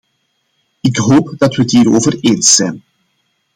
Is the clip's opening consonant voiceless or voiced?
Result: voiceless